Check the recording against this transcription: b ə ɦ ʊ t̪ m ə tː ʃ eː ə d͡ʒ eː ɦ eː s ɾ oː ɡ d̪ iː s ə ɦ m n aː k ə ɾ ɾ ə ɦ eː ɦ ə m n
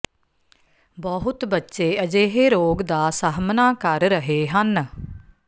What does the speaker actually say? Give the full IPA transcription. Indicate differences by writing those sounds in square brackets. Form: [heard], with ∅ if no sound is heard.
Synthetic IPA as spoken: b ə ɦ ʊ t̪ [b] ə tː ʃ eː ə d͡ʒ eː ɦ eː [∅] ɾ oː ɡ d̪ [aː] s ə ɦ m n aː k ə ɾ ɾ ə ɦ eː ɦ ə [∅] n